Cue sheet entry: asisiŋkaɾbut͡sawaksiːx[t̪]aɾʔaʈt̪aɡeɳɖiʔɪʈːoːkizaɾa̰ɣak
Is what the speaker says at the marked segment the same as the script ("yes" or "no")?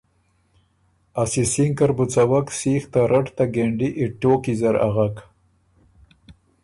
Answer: yes